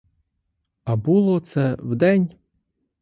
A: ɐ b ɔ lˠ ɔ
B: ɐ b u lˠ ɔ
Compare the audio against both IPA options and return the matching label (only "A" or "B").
B